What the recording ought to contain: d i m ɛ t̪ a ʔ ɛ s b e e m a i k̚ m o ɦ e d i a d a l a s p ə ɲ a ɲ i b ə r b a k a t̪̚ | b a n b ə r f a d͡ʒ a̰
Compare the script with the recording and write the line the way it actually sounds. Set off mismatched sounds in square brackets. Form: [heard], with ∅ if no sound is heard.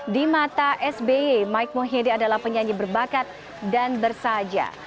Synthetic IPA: d i m [a] t̪ a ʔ ɛ s b e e m a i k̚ m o ɦ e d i a d a l a [h] p ə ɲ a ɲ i b ə r b a k a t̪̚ | [d] a n b ə r [s] a d͡ʒ a̰